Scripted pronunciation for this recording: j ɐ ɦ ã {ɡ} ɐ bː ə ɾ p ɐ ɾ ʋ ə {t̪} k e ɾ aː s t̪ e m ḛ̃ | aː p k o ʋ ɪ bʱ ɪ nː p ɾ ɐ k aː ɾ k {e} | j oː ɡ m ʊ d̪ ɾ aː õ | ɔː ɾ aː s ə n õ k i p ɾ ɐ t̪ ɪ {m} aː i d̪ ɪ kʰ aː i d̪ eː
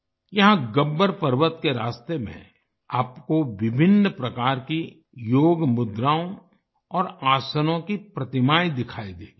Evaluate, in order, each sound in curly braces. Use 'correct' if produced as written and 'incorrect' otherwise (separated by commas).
correct, correct, incorrect, correct